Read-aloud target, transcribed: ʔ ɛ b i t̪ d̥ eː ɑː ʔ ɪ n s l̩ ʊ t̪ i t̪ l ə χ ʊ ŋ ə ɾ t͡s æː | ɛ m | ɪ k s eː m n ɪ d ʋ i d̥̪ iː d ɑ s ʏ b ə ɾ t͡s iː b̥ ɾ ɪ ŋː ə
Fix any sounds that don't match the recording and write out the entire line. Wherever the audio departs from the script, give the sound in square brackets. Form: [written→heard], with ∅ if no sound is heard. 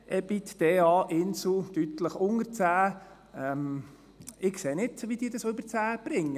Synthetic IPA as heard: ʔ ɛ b i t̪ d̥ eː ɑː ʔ ɪ n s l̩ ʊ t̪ [i→y] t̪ l ə χ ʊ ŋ ə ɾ t͡s æː | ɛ m | ɪ k s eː [m→∅] n ɪ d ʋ i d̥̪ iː d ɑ s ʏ b ə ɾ t͡s [iː→æː] b̥ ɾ ɪ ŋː ə